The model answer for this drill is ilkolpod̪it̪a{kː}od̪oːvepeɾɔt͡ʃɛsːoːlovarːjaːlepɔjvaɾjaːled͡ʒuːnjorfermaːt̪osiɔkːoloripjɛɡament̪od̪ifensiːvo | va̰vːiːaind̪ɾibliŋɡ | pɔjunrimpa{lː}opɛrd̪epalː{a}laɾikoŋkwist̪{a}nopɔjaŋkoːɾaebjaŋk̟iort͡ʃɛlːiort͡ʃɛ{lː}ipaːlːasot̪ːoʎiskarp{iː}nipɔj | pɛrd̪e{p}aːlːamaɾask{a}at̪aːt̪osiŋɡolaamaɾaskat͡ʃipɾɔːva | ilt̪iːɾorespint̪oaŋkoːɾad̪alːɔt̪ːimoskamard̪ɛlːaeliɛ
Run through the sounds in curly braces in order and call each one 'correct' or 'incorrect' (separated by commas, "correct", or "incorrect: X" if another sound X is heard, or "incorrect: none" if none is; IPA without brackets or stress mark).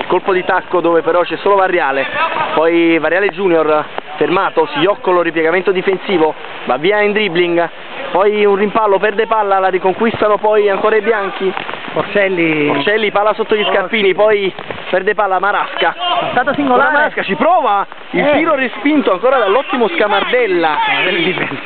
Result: correct, correct, correct, correct, correct, correct, correct, correct